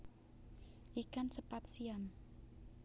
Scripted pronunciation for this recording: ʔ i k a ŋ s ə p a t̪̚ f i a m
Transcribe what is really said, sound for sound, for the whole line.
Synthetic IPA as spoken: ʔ i k a n s ə p a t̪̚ s i a m